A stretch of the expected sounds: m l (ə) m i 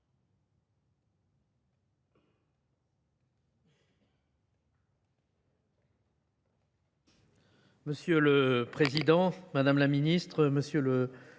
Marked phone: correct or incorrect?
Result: incorrect